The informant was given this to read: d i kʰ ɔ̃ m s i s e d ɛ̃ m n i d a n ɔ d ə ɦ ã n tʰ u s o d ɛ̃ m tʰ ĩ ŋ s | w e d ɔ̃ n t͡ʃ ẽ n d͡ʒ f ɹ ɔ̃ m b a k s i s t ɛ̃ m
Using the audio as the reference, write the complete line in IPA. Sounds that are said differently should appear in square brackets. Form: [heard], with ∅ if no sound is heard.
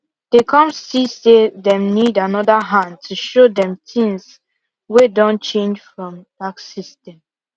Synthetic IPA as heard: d [e] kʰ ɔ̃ m s i s e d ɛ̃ m n i d a n ɔ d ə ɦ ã n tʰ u [ʃ] o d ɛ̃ m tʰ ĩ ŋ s | w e d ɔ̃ n t͡ʃ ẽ n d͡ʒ f ɹ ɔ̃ m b a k s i s t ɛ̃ m